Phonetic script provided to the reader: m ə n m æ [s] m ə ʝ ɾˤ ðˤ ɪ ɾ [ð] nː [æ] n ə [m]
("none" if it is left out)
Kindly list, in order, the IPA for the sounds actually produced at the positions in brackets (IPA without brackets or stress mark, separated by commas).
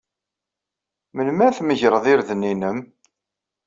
θ, ð, i, m